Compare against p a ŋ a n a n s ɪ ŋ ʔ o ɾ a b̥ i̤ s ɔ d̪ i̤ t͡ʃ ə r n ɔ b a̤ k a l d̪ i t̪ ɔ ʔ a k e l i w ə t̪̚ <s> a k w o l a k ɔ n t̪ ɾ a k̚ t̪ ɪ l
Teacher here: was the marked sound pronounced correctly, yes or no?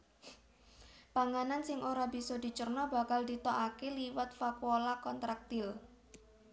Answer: no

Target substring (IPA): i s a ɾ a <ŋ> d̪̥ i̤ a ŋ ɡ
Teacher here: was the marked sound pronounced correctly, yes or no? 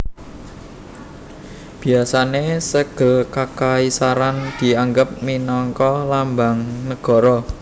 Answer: no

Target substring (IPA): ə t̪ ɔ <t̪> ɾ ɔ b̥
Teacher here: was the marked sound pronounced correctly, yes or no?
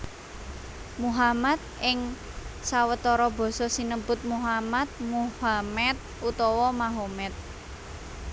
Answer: no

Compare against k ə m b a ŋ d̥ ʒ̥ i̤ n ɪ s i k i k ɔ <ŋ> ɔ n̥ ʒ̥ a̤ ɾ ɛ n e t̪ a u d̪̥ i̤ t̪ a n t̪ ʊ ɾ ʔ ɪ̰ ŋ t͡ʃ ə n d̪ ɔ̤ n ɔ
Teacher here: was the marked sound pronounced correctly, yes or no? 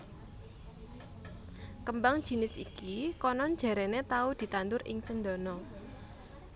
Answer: no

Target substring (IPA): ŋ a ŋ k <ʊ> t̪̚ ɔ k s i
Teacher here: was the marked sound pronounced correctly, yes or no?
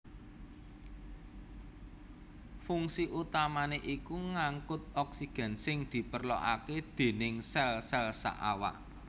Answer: yes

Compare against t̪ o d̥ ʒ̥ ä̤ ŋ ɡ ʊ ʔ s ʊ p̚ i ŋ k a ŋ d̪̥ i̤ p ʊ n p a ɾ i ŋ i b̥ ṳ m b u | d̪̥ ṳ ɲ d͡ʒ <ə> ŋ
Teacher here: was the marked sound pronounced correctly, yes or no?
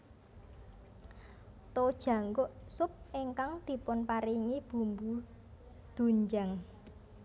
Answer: no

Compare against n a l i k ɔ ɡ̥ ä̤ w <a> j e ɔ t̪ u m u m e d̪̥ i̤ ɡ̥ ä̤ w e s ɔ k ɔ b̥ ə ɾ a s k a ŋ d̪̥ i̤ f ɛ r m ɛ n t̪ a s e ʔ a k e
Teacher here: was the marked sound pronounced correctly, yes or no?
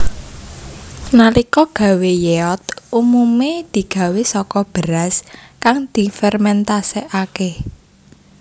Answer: no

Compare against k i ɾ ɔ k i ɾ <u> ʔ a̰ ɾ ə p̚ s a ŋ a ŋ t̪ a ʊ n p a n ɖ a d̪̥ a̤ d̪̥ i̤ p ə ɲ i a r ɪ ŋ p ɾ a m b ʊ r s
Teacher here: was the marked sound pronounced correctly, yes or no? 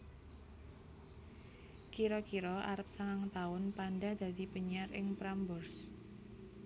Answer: no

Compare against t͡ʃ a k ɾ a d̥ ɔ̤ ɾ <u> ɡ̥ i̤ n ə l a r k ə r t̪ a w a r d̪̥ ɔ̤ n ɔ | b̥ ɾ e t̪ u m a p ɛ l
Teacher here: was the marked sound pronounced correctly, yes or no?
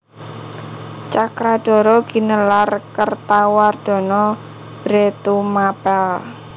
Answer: no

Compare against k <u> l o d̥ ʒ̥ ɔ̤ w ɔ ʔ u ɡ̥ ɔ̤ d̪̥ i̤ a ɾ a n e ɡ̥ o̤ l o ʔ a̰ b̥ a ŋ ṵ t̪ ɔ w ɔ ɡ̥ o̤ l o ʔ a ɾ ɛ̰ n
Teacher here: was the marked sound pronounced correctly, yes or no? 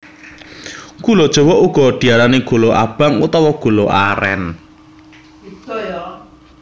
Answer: yes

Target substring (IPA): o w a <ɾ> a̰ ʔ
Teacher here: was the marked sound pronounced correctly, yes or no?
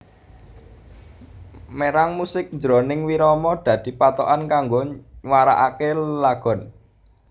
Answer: yes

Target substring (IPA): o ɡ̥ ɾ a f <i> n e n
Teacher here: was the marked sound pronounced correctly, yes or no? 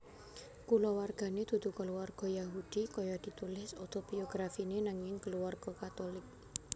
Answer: yes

